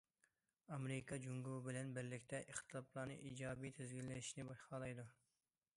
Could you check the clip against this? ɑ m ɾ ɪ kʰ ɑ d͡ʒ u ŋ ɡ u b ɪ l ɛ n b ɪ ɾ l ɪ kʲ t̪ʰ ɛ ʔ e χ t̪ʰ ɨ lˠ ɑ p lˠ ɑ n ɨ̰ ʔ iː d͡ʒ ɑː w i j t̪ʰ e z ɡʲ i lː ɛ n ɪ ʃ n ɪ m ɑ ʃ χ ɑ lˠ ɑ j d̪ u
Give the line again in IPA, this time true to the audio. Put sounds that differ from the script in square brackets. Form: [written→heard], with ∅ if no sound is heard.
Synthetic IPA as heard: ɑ m ɾ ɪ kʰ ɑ d͡ʒ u ŋ ɡ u b ɪ l ɛ n b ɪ ɾ l ɪ kʲ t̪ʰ ɛ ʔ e χ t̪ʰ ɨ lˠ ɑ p lˠ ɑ n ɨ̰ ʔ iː d͡ʒ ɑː [w→b] i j t̪ʰ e z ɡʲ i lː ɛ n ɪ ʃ n ɪ [m→b] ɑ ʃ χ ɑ lˠ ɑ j d̪ u